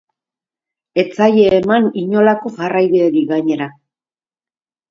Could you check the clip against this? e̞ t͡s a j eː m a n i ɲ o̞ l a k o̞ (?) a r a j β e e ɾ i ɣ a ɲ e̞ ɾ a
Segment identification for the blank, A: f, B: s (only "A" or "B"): A